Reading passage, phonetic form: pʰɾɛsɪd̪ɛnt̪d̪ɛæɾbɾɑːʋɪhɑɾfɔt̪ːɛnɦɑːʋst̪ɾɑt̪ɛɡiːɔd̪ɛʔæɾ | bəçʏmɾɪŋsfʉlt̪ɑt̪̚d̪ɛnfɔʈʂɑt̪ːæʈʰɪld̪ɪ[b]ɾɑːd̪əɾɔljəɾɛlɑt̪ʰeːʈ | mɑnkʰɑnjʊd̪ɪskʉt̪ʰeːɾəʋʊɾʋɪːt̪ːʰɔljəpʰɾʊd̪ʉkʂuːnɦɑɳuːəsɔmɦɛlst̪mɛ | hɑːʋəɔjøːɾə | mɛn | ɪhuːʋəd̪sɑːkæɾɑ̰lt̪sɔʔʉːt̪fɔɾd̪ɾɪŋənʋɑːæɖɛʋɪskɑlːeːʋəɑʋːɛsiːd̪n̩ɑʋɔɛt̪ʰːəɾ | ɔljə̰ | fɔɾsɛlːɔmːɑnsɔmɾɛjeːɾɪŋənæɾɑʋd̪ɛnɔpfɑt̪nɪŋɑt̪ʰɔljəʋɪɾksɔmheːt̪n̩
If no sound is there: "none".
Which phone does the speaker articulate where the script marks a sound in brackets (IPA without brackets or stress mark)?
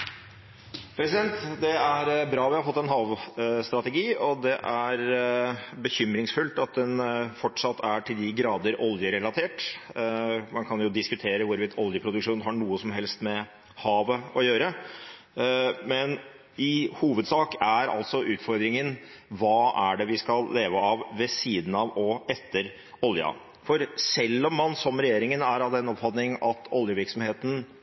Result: ɡ